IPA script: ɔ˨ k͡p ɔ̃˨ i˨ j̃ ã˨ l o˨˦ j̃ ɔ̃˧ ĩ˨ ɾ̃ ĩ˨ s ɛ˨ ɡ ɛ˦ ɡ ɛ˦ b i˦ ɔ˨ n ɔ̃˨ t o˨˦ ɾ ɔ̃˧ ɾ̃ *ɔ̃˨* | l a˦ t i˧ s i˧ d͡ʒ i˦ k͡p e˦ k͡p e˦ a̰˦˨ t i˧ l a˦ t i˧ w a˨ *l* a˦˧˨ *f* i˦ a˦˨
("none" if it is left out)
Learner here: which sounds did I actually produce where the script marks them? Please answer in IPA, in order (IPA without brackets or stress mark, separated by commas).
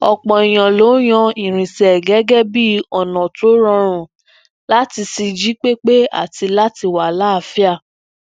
ũ˨, l, f